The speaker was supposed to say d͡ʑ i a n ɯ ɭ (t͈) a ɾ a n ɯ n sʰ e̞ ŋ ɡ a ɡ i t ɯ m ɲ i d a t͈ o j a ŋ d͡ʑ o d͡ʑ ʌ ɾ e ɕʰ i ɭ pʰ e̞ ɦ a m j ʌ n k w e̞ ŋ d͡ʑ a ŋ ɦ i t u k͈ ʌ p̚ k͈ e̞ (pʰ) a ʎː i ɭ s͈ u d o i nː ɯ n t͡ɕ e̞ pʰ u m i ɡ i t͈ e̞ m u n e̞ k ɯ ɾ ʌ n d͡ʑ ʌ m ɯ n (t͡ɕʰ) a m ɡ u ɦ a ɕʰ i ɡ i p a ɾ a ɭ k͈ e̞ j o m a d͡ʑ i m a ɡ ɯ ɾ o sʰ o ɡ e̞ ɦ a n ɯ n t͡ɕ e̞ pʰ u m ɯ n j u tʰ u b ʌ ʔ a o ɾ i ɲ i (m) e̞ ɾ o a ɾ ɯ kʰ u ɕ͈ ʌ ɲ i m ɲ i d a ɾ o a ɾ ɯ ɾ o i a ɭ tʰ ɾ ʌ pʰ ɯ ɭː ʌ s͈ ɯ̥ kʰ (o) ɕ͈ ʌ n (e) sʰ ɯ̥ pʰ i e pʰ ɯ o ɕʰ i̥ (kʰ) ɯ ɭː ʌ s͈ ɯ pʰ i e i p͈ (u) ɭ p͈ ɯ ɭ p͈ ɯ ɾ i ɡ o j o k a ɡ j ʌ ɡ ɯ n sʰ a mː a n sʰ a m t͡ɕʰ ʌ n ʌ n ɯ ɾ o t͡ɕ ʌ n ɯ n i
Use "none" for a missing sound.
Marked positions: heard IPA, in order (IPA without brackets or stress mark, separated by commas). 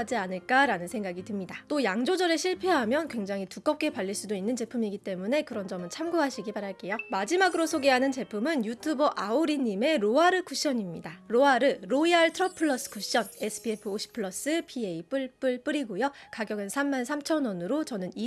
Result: k͈, p, t͡ɕʰ, m, u, e, pʰ, ɯ